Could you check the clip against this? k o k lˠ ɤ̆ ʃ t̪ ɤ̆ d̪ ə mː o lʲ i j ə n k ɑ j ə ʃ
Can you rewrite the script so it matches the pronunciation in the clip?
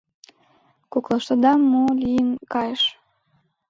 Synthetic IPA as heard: k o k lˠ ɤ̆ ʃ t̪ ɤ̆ d̪ ɑ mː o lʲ i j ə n k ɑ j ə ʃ